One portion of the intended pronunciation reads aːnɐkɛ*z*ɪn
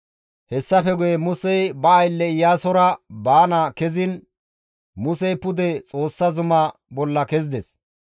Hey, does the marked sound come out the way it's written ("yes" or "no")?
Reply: yes